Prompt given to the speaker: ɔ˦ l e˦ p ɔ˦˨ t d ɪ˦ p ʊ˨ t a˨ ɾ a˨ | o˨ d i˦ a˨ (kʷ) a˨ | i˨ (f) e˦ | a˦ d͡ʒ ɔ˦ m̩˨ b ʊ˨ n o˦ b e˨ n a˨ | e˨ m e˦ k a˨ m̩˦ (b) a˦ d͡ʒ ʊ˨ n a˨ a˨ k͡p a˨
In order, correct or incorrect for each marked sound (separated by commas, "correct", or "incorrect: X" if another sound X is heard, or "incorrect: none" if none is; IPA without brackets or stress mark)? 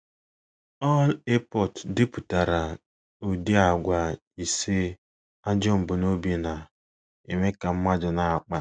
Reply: incorrect: ɡʷ, incorrect: s, incorrect: m